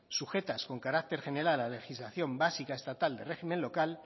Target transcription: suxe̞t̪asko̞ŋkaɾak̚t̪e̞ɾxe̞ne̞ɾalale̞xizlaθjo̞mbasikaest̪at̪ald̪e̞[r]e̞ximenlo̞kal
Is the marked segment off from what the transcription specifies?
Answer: no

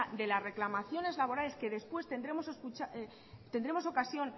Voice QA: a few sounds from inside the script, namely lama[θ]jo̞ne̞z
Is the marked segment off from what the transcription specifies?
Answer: no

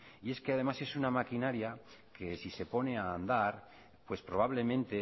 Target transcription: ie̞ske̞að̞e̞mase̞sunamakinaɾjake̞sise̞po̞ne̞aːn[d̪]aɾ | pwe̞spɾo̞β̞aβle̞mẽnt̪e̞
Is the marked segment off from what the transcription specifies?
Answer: no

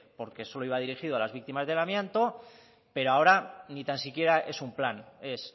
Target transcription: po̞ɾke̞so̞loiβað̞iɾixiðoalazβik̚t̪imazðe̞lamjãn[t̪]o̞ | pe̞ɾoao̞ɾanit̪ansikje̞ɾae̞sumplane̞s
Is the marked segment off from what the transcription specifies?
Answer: no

